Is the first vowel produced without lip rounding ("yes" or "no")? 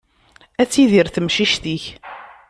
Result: yes